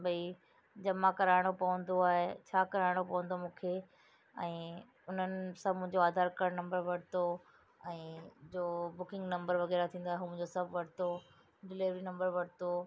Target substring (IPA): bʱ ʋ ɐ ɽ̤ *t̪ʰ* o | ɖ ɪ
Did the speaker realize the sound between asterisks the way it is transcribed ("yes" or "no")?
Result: no